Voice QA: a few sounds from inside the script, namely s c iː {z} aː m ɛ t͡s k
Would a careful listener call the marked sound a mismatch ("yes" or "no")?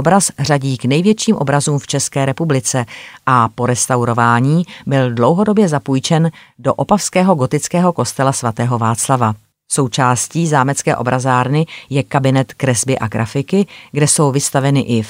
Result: no